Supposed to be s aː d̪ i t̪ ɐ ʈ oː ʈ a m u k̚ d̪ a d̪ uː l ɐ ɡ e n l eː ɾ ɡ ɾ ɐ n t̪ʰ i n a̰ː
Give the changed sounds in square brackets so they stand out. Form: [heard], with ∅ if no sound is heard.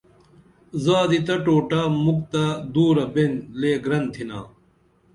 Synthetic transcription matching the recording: [z] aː d̪ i t̪ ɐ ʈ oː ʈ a m u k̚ [t̪] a d̪ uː [ɾ] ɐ [b] e n l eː [∅] ɡ ɾ ɐ n t̪ʰ i n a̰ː